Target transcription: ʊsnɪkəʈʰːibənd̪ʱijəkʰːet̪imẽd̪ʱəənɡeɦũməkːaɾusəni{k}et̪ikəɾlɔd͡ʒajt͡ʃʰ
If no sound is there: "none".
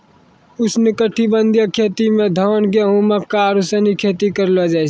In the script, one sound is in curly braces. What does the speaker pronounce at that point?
kʰ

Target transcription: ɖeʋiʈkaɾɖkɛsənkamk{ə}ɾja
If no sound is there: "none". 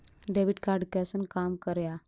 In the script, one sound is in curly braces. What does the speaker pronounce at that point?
ə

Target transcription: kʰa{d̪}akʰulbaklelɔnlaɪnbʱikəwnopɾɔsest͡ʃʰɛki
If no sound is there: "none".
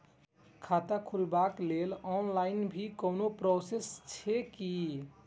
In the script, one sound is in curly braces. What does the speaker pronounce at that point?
t̪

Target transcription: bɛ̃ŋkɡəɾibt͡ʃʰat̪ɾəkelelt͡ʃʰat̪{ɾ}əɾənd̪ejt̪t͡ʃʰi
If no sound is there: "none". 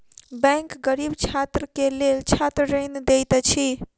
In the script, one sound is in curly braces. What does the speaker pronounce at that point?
ɾ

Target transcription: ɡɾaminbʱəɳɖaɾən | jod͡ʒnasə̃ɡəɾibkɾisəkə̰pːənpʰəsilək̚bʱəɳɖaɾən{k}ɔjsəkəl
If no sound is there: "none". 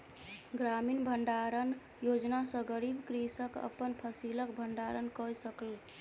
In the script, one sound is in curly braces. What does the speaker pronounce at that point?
k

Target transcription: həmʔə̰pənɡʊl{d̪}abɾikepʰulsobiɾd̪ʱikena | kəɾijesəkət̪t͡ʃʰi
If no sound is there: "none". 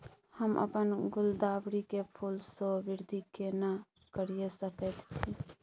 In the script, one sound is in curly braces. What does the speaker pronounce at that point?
d̪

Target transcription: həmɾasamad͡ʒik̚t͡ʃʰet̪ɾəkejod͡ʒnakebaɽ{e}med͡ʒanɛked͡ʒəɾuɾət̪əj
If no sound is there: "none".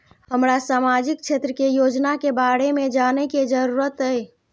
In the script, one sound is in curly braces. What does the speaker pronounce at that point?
e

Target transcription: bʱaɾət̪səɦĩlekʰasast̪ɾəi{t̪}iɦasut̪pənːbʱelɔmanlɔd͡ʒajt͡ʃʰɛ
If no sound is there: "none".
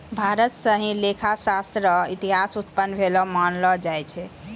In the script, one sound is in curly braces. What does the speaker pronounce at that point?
t̪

